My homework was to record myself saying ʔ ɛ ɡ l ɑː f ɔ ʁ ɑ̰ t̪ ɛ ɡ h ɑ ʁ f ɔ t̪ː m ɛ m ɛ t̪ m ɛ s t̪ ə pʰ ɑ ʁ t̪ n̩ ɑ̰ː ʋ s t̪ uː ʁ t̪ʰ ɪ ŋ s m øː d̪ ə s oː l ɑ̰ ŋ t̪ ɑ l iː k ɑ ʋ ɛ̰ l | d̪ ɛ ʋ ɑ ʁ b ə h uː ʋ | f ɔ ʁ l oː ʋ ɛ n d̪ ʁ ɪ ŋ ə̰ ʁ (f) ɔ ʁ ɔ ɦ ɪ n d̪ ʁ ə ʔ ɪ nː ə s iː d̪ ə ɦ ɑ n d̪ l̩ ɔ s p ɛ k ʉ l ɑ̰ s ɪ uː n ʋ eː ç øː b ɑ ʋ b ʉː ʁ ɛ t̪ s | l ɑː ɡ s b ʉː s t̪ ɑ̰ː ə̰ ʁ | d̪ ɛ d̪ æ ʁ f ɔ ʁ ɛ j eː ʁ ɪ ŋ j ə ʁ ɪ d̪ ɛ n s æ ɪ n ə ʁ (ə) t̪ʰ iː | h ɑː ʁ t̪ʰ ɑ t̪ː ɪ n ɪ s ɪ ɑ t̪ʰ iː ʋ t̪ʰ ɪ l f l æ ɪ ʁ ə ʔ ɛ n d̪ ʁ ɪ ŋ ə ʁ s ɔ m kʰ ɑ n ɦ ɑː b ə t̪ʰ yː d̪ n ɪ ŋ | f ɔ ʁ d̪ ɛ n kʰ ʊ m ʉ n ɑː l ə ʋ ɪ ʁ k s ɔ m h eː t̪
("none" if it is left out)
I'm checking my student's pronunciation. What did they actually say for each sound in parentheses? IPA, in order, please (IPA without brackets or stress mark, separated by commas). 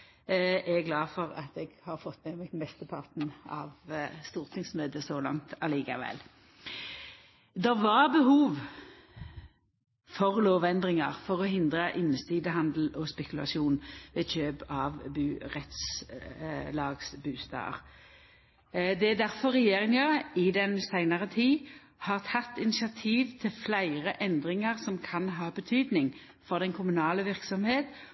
f, ə